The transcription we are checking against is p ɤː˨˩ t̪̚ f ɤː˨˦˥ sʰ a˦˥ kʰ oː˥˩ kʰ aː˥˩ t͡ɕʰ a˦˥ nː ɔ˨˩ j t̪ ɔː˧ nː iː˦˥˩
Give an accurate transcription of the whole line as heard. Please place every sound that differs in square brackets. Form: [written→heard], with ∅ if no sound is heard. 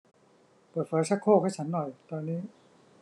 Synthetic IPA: p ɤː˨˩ t̪̚ f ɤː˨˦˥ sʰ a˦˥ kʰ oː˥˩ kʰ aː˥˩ t͡ɕʰ a˦˥ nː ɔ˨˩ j t̪ ɔː˧ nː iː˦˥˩